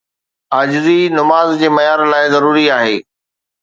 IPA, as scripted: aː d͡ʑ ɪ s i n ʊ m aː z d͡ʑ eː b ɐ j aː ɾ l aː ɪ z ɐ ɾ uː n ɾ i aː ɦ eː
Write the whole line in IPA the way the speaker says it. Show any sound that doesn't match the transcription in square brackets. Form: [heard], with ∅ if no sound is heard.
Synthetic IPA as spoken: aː d͡ʑ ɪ [z] i n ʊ m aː z d͡ʑ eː [m] ɐ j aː ɾ l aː ɪ z ɐ ɾ uː [∅] ɾ i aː ɦ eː